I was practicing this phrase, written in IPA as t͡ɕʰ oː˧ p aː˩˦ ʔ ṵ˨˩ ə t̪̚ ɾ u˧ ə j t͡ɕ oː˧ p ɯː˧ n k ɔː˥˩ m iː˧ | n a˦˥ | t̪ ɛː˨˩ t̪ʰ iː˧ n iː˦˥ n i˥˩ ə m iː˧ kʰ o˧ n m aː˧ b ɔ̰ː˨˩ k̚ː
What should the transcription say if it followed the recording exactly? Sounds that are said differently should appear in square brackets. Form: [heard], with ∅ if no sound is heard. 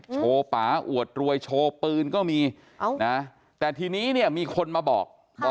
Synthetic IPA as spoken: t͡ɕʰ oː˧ p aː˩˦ ʔ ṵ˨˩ ə t̪̚ ɾ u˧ ə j [t͡ɕʰ] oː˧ p ɯː˧ n k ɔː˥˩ m iː˧ | n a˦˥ | t̪ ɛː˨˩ t̪ʰ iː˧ n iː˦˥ n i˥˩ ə m iː˧ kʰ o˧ n m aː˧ b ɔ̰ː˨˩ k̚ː